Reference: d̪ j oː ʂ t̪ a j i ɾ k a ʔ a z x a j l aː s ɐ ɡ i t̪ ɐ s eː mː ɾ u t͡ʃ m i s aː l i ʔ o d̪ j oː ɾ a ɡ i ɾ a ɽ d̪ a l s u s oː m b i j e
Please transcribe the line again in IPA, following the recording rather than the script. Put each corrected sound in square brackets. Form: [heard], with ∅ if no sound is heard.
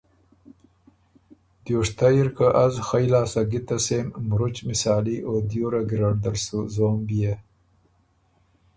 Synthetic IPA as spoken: d̪ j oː ʂ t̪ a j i ɾ k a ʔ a z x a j l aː s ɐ ɡ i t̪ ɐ s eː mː ɾ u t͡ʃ m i s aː l i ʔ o d̪ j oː ɾ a ɡ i ɾ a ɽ d̪ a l s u [z] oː m b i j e

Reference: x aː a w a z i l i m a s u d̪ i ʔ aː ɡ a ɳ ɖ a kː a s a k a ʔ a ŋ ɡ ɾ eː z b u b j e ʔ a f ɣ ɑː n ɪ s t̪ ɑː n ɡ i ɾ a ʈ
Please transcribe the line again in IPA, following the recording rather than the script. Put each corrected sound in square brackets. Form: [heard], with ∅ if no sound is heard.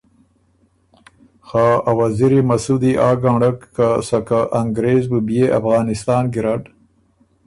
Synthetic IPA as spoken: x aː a w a z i [ɾ] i m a s u d̪ i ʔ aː ɡ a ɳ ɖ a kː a s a k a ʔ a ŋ ɡ ɾ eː z b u b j e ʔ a f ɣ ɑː n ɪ s t̪ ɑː n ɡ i ɾ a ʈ

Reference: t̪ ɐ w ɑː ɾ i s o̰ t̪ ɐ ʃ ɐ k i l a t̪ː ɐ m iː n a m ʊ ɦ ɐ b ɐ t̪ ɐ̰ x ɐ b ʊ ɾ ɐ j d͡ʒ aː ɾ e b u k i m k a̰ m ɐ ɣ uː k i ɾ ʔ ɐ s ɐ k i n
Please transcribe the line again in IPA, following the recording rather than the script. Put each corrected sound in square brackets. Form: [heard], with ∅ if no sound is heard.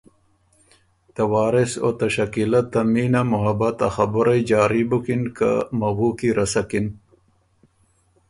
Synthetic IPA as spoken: t̪ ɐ w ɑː ɾ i s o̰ t̪ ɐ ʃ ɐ k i l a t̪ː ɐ m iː n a m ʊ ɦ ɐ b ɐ t̪ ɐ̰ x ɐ b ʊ ɾ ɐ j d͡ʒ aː ɾ [i] b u k i [n] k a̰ m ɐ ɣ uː k i ɾ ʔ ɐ s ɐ k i n

